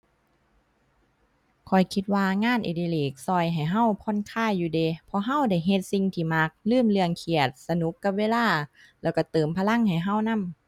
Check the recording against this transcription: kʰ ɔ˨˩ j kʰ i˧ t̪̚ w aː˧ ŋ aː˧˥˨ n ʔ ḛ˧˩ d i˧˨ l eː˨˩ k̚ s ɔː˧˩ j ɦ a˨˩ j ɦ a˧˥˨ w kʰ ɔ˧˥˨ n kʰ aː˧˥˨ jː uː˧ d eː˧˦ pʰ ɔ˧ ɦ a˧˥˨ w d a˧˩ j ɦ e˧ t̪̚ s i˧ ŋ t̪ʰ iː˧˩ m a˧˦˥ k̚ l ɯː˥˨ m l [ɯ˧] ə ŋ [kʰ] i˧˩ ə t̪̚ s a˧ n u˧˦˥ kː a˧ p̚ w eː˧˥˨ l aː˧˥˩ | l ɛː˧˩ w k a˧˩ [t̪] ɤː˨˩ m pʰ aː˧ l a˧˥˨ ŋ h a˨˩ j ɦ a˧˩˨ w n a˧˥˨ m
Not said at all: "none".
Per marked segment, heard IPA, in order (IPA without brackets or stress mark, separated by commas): ɯ˧, kʰ, t̪